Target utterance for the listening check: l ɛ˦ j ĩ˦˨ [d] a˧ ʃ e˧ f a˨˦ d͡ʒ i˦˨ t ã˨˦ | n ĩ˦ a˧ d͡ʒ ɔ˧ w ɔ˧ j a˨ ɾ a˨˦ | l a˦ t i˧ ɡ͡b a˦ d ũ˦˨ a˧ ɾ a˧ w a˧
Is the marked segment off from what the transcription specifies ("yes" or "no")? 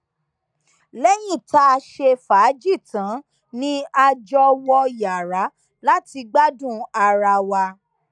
yes